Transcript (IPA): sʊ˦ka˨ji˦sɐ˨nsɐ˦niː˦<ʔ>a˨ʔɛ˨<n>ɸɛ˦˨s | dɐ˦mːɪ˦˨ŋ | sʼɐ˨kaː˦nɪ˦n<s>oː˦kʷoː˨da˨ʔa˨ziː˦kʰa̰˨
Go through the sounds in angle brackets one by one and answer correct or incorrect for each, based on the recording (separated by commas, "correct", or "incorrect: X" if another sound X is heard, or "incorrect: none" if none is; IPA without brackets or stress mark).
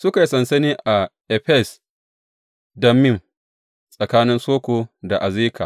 correct, incorrect: none, correct